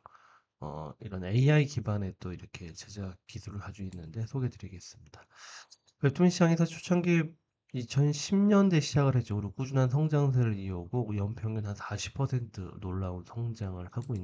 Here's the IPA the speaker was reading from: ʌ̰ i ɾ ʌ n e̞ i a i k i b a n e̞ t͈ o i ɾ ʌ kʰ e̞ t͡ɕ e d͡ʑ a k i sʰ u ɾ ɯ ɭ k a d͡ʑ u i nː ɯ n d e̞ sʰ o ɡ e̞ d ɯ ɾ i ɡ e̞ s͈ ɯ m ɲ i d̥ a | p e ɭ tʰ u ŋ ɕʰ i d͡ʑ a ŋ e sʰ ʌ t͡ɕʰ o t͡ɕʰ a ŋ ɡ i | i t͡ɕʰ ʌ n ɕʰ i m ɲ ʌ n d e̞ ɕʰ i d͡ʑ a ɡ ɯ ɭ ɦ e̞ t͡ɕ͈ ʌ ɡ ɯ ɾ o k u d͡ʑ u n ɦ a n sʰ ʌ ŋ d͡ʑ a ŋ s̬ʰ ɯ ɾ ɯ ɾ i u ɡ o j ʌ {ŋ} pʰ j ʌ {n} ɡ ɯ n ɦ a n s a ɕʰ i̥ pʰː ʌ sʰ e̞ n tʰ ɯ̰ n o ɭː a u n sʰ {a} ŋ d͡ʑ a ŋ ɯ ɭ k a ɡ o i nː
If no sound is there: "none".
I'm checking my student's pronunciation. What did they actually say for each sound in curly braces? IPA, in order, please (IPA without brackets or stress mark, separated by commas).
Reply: m, ŋ, ʌ